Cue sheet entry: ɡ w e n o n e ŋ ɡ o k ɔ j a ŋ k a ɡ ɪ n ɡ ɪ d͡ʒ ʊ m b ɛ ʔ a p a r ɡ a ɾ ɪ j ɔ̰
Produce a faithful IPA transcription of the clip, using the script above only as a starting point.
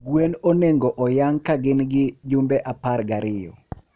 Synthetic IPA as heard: ɡ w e n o n e ŋ ɡ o ʔ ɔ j a ŋ k a ɡ ɪ n ɡ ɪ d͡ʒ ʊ m b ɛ ʔ a p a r ɡ a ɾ ɪ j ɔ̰